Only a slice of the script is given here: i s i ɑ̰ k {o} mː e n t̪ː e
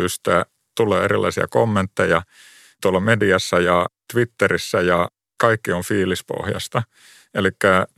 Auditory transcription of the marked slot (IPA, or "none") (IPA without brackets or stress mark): o